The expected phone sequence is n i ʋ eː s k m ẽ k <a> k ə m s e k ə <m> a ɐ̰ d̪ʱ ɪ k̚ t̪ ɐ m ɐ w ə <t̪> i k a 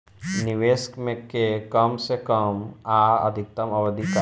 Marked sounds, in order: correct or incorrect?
incorrect: e, correct, incorrect: d̪

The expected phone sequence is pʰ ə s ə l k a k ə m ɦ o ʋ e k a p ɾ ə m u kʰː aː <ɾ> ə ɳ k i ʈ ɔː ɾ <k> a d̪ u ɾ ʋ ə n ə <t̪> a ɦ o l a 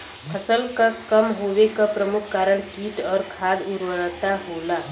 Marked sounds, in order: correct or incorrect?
correct, incorrect: kʰ, correct

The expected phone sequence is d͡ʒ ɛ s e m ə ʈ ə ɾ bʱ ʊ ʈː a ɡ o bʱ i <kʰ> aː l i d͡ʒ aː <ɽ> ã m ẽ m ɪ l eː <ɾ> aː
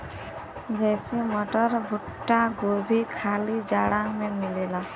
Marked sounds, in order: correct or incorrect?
correct, correct, incorrect: l

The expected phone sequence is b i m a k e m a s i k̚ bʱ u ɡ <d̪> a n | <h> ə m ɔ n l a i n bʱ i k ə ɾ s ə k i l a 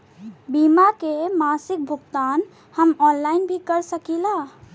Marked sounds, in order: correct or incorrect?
incorrect: t̪, correct

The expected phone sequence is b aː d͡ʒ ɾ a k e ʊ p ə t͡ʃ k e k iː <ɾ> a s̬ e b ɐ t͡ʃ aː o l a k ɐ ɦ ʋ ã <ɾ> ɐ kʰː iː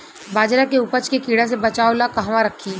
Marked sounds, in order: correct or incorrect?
incorrect: ɽ, correct

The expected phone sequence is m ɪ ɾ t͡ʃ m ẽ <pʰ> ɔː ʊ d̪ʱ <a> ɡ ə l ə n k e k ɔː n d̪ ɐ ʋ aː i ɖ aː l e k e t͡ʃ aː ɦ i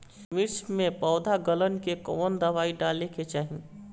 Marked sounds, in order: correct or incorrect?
incorrect: p, correct

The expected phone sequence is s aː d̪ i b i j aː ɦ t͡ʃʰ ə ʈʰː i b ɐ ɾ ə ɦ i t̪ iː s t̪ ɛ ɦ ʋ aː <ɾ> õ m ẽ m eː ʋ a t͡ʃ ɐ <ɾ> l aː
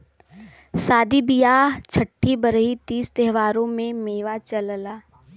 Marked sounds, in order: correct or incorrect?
correct, incorrect: l

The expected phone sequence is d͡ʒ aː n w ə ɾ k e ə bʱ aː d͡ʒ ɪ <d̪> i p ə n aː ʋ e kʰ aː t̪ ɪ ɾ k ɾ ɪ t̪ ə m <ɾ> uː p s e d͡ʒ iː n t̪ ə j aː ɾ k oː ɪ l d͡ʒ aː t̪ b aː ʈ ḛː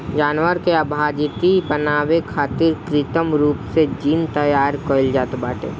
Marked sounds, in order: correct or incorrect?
incorrect: t̪, correct

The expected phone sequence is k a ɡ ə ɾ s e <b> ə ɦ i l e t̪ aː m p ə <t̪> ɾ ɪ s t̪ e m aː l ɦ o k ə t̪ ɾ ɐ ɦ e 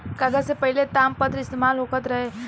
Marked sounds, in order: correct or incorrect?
incorrect: p, correct

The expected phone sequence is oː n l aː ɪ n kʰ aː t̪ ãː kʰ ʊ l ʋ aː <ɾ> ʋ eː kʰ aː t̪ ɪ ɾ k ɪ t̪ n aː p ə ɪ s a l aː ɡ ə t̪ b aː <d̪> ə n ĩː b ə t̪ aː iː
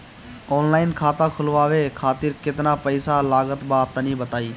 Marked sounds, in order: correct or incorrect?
incorrect: none, incorrect: t̪

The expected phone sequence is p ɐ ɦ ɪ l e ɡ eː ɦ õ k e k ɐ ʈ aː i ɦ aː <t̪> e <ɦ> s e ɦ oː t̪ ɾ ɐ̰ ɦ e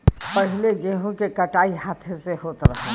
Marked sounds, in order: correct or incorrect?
incorrect: t̪ʰ, incorrect: none

